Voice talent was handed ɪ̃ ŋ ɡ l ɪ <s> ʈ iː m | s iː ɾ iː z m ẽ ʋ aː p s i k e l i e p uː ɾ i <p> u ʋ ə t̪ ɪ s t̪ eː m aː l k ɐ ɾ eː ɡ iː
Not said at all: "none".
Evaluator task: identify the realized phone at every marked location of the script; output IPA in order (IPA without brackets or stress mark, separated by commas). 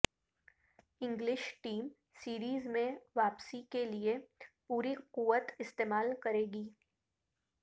ʃ, q